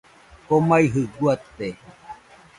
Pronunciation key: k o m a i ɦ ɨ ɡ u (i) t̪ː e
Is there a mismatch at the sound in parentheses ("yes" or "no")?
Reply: yes